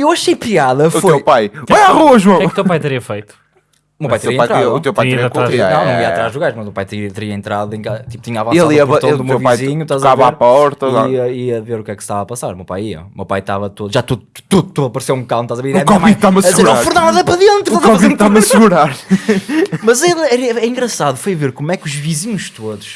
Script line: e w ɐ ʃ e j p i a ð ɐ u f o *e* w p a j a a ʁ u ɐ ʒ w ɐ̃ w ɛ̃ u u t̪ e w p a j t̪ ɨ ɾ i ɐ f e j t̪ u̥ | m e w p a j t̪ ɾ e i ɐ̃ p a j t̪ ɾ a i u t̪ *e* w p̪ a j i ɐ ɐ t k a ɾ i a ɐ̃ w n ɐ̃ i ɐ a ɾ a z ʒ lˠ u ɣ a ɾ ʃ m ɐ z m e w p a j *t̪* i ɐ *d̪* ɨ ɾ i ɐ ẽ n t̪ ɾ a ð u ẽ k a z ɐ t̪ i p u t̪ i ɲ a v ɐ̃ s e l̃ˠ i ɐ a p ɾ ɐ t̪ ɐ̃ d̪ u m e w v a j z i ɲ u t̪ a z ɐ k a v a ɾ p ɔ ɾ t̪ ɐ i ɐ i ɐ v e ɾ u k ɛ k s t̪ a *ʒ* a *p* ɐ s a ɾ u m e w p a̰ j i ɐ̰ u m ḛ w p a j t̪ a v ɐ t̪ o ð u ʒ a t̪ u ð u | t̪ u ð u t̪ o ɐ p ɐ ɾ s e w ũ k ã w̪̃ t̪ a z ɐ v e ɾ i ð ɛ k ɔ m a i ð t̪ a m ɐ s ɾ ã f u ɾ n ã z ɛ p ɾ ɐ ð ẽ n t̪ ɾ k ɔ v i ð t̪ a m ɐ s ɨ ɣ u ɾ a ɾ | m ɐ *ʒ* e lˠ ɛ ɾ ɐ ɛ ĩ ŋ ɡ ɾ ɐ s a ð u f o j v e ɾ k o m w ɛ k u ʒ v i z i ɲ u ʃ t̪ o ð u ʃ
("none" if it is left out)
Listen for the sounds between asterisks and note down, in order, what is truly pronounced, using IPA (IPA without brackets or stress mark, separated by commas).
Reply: e, e, t̪, t̪, v, p, z